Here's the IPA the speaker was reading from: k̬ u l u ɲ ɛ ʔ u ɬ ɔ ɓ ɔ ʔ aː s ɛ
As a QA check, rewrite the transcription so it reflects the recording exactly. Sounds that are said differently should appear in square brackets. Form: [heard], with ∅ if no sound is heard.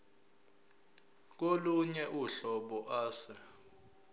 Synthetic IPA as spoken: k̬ [o] l u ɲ ɛ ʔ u ɬ ɔ ɓ ɔ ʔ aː s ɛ